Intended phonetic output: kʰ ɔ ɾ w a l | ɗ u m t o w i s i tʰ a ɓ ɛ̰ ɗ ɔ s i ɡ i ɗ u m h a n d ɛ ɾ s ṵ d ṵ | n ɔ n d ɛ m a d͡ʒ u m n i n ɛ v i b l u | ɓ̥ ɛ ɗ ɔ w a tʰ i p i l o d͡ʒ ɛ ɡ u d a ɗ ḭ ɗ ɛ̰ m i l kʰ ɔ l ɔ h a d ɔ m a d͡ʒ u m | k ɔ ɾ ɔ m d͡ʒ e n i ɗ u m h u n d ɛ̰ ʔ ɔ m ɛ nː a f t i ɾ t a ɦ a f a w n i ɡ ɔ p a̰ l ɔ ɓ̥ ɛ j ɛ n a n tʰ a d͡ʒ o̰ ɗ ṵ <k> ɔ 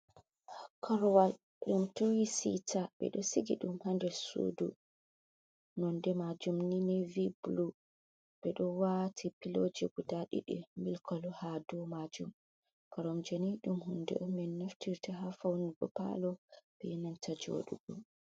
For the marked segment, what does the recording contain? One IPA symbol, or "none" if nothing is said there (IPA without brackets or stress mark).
ɡ